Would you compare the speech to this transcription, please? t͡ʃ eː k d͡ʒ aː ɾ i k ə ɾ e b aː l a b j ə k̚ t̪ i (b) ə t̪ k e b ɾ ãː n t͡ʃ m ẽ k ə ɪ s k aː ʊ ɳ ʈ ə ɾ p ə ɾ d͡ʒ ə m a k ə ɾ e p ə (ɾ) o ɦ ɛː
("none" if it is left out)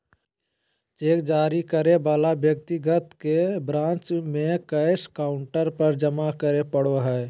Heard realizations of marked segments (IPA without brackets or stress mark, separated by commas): ɡ, ɽ